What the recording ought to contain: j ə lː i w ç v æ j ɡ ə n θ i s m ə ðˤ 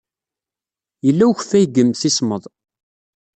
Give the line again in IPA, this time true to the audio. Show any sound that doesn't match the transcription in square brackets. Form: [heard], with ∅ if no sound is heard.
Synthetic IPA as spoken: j ə lː [æ] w ç [f] æ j ɡ ə [m] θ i s m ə ðˤ